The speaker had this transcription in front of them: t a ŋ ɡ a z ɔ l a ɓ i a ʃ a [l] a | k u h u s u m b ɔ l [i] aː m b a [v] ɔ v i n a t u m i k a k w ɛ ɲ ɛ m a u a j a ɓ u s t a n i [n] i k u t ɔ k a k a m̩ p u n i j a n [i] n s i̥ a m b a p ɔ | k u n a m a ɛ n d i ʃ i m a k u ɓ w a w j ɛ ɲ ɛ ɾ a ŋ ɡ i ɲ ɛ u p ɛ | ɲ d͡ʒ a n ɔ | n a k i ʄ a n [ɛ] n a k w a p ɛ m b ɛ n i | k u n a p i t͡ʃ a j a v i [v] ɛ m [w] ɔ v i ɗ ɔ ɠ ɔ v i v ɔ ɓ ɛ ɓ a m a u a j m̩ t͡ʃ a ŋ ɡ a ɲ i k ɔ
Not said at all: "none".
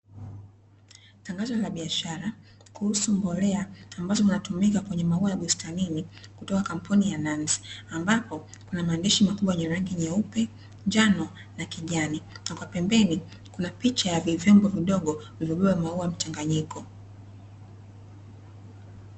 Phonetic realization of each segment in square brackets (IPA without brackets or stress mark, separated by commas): ɾ, ɛ, z, n, a, i, v, b